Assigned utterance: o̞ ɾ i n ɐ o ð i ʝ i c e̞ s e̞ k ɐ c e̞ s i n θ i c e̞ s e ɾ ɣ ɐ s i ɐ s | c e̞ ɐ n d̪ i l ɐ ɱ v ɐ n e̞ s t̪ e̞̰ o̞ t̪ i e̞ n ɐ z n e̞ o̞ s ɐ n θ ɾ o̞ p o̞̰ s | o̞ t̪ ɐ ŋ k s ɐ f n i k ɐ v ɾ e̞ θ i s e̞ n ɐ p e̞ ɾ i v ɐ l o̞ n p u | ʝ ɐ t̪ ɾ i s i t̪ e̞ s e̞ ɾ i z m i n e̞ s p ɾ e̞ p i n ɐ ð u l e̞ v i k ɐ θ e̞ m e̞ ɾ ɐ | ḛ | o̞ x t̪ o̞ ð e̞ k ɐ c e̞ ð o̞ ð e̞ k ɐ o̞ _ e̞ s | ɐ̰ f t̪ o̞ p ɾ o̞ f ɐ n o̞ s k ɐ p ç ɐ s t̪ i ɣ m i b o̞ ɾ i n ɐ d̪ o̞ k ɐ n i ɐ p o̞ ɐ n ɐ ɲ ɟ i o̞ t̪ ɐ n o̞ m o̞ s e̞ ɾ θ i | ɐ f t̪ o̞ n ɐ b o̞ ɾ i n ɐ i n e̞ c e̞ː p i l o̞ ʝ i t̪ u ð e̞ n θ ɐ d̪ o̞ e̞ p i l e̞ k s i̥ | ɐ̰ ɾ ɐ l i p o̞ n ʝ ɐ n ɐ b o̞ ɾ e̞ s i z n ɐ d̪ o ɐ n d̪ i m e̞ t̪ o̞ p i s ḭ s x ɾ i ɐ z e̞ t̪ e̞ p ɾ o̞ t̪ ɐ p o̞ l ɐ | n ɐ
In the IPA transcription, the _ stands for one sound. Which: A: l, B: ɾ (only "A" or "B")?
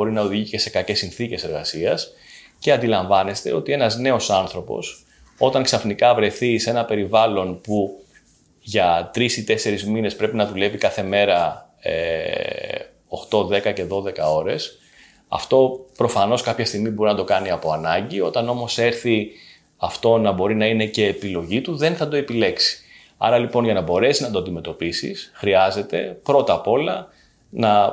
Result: B